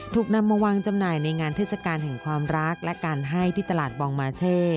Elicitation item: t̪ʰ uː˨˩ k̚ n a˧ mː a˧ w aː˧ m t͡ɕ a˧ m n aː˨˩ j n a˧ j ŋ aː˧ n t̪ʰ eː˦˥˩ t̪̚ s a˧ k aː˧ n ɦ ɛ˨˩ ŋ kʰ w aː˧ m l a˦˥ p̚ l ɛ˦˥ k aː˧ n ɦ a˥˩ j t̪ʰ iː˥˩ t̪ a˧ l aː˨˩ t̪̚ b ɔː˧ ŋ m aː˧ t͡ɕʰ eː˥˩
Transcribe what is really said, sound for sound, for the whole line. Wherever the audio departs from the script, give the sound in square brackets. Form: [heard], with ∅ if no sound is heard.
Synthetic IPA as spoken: t̪ʰ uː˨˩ k̚ n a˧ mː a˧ w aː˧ [ŋ] t͡ɕ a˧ m n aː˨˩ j n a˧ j ŋ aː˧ n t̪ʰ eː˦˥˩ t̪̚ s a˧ k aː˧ n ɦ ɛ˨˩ ŋ kʰ w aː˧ m [ɾ] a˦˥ [k̚] l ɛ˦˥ k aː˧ n ɦ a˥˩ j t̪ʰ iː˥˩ t̪ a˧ l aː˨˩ t̪̚ b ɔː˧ ŋ m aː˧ t͡ɕʰ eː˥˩